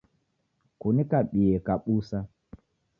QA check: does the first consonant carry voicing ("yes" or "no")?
no